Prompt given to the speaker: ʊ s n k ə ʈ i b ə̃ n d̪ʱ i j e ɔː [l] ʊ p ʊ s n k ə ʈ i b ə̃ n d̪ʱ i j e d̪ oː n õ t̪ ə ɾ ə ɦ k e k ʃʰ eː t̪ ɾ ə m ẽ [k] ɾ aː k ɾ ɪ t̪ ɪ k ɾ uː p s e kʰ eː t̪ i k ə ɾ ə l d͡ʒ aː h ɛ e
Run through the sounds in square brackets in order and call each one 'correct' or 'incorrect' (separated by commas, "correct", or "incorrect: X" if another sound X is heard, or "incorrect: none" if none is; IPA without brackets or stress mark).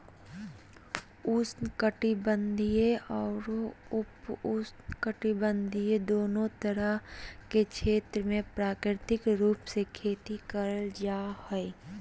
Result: incorrect: ɾ, incorrect: p